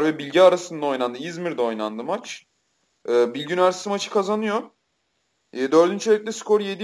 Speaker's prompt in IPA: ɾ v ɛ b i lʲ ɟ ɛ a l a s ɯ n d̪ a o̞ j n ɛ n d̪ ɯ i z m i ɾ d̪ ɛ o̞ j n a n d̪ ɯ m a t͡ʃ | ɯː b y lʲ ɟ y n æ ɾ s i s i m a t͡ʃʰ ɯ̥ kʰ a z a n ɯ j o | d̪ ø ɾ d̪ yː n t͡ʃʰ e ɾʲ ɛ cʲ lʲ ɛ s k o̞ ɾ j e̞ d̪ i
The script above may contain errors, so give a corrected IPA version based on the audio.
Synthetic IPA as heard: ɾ v ɛ b i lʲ ɟ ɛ a ɾ a s ɯ n d̪ a o̞ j n a n d̪ ɯ i z m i ɾ d̪ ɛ o̞ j n a n d̪ ɯ m a t͡ʃ | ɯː b i lʲ ɟ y n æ ɾ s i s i m a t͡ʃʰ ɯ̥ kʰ a z a n ɯ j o | d̪ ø ɾ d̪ y n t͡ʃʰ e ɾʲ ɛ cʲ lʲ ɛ s k o̞ ɾ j e̞ d̪ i